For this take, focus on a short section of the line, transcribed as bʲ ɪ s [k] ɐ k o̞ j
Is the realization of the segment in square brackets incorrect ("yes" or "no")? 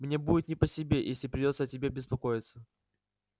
yes